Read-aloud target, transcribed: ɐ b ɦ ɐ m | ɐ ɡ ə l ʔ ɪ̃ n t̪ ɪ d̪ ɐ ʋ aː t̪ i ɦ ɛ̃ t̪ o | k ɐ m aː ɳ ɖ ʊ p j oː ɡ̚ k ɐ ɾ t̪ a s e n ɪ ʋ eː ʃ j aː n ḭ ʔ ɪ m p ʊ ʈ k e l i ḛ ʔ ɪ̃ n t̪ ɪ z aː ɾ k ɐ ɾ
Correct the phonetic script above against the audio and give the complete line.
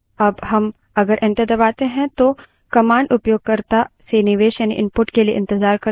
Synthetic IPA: ɐ b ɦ ɐ m | ɐ ɡ ə ɾ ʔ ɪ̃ n t̪ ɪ d̪ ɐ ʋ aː t̪ e ɦ ɛ̃ t̪ o | k ɐ m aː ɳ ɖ ʊ p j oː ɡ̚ k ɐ ɾ t̪ a s e n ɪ ʋ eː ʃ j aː n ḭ ʔ ɪ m p ʊ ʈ k e l i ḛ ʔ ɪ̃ n t̪ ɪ z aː ɾ k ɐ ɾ